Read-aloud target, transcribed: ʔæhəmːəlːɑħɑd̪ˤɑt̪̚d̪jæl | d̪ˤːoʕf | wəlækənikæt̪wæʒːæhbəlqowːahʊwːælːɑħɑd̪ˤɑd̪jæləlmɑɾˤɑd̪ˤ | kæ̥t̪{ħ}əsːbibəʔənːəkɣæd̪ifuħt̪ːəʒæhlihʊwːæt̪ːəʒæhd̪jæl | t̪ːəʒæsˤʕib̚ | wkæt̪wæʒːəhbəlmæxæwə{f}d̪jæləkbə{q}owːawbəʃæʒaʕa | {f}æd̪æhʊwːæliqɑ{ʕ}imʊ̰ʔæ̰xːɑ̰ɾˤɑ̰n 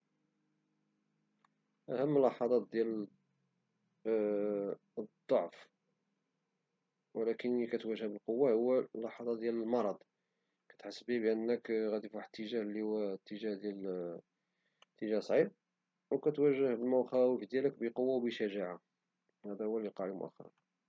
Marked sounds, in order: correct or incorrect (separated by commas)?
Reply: correct, correct, correct, incorrect, correct